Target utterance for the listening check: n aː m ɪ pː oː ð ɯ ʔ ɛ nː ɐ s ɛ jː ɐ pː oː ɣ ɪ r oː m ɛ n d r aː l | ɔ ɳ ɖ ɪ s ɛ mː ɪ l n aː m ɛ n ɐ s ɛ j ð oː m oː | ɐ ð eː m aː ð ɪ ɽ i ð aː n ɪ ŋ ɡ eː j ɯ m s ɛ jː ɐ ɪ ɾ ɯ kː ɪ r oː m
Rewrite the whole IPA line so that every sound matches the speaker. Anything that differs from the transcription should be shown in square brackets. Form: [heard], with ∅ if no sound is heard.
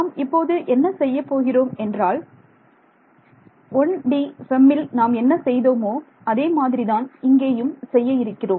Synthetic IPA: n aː m ɪ pː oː ð ɯ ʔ ɛ nː ɐ s ɛ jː ɐ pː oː ɣ ɪ r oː m ɛ n d r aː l | ɔ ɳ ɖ [i] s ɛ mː ɪ l n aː m ɛ [nː] ɐ s ɛ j ð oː m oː | ɐ ð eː m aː ð ɪ [ɾ] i ð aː n ɪ ŋ ɡ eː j ɯ m s ɛ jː ɐ ɪ ɾ ɯ kː ɪ r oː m